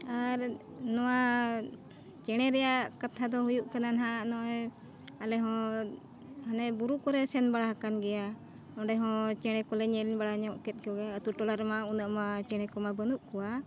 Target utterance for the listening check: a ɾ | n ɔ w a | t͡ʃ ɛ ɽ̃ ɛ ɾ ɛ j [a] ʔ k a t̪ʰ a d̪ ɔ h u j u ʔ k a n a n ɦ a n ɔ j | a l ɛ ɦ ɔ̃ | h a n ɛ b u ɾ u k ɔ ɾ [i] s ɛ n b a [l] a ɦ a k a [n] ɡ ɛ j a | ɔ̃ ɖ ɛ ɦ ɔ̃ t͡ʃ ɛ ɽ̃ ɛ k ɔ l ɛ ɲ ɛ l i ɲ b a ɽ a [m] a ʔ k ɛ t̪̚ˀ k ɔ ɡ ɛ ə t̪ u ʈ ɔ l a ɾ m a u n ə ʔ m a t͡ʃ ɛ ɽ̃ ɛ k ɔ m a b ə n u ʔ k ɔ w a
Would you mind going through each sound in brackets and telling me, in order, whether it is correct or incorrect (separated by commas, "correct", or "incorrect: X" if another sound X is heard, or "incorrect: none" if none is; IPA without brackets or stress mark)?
correct, incorrect: ɛ, incorrect: ɽ, correct, incorrect: ɲ